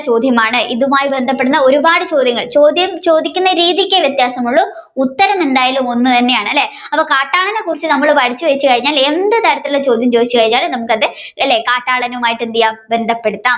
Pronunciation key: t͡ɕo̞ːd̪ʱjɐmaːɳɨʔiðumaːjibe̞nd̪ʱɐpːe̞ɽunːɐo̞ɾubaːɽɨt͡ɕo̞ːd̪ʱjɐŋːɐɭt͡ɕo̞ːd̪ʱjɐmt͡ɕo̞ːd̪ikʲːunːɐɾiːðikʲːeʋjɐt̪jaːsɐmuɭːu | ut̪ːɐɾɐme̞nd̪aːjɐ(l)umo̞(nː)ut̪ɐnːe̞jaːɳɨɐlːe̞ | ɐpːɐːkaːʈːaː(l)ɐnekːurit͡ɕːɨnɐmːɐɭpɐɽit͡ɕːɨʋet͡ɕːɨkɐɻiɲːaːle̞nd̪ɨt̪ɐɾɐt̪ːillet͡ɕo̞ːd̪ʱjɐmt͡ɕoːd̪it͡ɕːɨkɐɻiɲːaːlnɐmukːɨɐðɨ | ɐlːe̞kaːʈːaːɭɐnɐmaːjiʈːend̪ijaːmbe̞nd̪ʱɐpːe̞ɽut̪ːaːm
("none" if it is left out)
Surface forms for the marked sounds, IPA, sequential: l, nː, ɭ

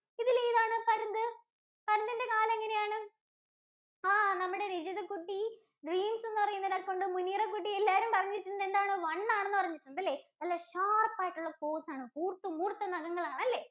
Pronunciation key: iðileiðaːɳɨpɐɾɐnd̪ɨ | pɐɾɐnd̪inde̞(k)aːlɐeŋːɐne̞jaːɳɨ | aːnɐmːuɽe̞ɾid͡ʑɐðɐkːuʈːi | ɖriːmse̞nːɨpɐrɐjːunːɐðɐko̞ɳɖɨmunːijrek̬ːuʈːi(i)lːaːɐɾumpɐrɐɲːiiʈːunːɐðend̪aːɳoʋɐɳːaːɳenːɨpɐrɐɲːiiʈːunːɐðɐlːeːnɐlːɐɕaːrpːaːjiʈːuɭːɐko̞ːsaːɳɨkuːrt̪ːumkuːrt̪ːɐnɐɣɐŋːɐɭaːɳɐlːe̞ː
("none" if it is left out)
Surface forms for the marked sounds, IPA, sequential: k, e

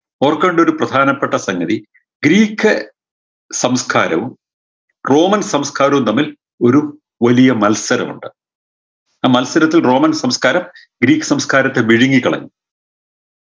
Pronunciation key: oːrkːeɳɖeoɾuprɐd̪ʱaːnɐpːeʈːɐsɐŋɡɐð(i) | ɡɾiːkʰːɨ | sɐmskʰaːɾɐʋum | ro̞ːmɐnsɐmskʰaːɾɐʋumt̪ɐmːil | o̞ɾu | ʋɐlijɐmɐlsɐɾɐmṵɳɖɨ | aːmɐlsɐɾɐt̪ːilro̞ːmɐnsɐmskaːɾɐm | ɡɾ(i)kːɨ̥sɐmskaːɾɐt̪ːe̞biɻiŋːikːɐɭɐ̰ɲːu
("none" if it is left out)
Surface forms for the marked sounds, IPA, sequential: i, iː

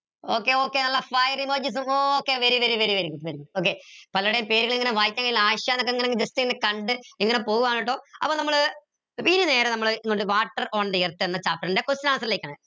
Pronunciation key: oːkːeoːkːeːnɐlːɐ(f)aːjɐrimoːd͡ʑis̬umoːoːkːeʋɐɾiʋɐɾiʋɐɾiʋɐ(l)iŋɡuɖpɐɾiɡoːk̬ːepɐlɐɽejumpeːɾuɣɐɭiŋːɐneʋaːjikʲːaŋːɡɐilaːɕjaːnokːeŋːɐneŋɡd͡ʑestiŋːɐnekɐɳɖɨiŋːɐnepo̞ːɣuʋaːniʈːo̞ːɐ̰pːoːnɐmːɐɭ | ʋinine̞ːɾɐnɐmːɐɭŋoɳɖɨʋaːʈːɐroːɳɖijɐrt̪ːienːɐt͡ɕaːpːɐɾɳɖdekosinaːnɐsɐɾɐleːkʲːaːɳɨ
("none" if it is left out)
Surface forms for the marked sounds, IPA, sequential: f, ɾ

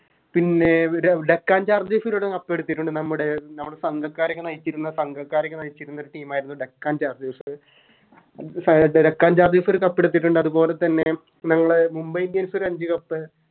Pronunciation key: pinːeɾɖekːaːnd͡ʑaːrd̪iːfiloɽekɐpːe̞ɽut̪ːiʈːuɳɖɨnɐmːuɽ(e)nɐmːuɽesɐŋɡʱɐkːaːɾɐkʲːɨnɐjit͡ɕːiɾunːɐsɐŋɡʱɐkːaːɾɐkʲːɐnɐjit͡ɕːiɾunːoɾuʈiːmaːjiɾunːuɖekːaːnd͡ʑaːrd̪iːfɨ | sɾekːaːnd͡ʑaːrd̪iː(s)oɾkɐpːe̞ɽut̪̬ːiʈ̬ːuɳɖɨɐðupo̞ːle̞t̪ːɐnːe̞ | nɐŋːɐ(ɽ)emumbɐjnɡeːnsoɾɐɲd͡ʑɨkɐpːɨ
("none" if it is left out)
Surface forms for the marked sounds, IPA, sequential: e, f, ɭ

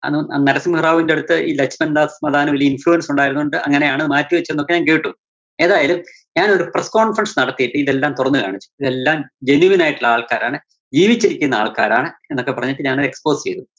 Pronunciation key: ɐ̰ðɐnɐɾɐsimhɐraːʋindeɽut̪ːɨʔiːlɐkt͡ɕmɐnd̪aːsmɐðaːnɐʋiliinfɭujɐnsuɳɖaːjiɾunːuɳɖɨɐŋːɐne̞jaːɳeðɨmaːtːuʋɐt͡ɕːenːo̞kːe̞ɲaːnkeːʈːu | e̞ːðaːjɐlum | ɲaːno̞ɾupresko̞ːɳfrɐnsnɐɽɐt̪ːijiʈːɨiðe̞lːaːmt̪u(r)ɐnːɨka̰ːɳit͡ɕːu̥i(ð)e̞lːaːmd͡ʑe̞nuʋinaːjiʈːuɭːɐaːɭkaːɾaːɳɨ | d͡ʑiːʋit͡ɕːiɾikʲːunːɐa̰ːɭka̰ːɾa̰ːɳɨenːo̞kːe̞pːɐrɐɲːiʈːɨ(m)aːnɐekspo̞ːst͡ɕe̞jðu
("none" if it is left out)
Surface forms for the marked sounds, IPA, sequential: r, ð, ɲ

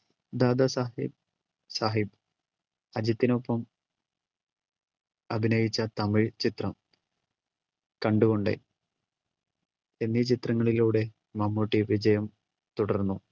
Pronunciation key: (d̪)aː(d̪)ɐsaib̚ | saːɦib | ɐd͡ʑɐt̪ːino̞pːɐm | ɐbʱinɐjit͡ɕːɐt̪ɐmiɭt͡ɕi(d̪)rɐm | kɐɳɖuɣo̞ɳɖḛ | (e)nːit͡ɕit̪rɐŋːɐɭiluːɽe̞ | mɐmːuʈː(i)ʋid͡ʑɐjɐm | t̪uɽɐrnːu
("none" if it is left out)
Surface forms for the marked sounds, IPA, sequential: d̪, d̪, t̪, e, i

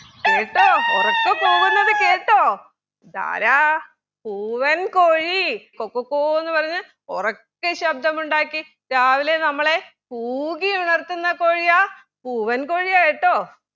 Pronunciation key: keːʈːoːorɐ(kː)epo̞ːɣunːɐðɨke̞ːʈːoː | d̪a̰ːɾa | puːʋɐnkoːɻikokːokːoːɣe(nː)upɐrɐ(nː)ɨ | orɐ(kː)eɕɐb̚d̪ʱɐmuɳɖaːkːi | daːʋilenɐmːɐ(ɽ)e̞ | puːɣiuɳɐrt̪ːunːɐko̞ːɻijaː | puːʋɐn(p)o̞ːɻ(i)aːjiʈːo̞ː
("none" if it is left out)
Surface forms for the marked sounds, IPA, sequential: kː, nː, ɲː, kː, ɭ, k, i

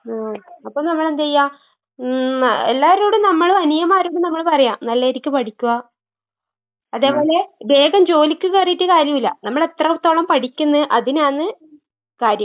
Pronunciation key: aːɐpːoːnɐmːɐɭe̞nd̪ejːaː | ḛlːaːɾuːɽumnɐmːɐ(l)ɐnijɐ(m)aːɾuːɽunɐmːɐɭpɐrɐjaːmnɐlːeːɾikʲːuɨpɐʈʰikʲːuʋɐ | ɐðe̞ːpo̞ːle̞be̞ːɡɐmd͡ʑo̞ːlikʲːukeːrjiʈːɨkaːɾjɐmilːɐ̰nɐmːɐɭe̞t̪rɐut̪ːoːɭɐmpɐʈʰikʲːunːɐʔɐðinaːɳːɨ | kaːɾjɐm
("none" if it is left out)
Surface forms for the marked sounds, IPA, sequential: ɭ, m

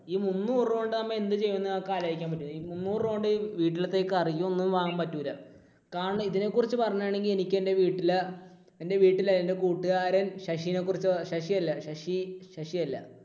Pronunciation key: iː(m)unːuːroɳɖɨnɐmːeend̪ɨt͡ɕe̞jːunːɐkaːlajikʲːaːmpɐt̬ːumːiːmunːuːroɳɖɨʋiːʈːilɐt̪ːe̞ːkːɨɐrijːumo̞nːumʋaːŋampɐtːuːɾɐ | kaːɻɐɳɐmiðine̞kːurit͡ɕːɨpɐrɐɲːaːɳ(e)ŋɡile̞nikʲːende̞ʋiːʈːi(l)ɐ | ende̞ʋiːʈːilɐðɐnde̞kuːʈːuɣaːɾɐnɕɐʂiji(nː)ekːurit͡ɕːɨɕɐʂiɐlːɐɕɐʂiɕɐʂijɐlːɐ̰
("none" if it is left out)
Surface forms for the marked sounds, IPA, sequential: m, e, l, n

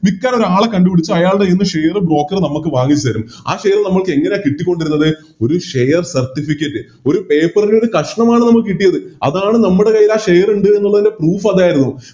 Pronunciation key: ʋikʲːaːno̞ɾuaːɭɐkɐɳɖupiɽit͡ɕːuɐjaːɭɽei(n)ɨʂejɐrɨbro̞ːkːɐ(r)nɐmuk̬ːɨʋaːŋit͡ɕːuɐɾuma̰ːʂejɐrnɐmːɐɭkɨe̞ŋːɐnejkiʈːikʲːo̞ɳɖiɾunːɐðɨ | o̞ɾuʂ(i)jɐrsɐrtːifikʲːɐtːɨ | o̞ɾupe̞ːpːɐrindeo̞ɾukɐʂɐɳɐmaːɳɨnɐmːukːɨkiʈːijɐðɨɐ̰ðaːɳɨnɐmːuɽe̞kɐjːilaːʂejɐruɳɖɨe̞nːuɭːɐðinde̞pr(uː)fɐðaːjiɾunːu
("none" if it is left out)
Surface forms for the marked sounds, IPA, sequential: nː, r, e, uː

